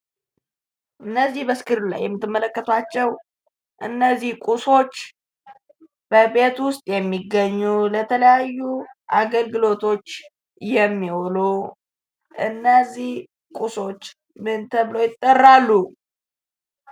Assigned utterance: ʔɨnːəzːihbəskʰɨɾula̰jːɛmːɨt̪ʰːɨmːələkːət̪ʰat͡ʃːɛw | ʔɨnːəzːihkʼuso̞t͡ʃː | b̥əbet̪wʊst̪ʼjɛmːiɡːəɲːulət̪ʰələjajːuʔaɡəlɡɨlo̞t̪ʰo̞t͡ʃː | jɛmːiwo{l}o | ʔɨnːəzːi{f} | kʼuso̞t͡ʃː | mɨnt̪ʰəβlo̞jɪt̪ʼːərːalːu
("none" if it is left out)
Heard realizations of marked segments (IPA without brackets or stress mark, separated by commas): l, h